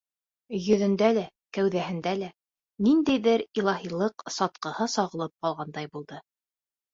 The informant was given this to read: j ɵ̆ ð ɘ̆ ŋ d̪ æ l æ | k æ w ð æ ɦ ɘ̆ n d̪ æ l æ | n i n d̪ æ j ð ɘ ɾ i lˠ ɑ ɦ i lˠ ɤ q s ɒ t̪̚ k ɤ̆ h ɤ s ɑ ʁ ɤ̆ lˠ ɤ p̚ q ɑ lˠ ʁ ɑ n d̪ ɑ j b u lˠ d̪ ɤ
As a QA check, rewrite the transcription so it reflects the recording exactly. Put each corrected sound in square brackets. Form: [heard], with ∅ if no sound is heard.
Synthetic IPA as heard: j ɵ̆ ð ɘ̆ [n] d̪ æ l æ | k æ w ð æ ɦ ɘ̆ n d̪ æ l æ | n i n d̪ æ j ð ɘ ɾ i lˠ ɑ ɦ i lˠ ɤ q s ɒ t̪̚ [q] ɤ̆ h ɤ s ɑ ʁ ɤ̆ lˠ ɤ p̚ q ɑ lˠ ʁ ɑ n d̪ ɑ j b u lˠ d̪ ɤ